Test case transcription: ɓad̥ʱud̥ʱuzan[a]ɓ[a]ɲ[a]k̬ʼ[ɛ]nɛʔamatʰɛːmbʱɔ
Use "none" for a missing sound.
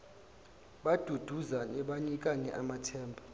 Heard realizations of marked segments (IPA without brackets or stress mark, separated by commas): ɛ, a, i, a